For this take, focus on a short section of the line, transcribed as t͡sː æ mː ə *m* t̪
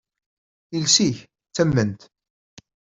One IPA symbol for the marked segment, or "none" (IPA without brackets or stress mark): n